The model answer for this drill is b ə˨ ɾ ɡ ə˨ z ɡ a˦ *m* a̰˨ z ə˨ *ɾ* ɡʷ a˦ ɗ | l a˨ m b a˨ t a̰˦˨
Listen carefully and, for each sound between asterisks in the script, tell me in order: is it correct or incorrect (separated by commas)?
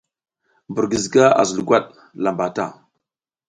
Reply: incorrect, incorrect